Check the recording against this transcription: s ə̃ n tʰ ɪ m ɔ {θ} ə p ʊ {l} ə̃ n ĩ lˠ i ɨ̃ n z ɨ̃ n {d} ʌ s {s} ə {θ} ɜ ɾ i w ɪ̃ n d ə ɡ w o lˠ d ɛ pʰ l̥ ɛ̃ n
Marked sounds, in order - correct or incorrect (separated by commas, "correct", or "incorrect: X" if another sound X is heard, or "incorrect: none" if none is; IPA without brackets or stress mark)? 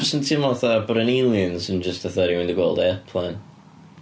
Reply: correct, incorrect: ɾ, incorrect: d͡ʒ, incorrect: t, correct